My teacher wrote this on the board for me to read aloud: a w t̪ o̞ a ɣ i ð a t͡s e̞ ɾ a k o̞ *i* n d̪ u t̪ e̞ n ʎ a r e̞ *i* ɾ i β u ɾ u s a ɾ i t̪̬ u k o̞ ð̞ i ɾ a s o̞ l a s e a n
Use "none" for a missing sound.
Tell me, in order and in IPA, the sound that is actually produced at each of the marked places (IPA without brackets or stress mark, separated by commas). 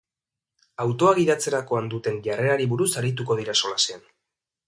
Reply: a, a